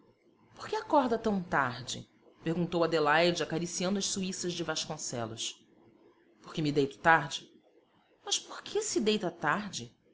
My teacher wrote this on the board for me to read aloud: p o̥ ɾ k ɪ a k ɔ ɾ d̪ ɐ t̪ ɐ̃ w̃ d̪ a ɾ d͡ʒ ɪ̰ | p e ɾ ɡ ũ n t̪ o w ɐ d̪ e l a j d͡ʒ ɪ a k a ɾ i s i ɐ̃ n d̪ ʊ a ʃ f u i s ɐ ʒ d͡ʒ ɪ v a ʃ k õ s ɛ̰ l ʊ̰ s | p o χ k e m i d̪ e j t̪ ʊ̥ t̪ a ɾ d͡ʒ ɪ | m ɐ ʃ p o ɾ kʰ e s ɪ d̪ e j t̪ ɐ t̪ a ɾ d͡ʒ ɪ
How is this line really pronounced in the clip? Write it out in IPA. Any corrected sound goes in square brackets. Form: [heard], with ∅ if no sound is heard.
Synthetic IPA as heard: p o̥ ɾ k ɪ a k ɔ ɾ d̪ ɐ t̪ ɐ̃ w̃ [t̪] a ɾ d͡ʒ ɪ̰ | p e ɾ ɡ ũ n t̪ o w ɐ d̪ e l a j d͡ʒ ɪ a k a ɾ i s i ɐ̃ n d̪ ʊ [ɐ] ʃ [s] u i s ɐ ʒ d͡ʒ ɪ v a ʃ k õ s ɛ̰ l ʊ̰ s | p o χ k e m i d̪ e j t̪ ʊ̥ t̪ a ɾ d͡ʒ ɪ | m ɐ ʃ p o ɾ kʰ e s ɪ d̪ e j t̪ ɐ t̪ a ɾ d͡ʒ ɪ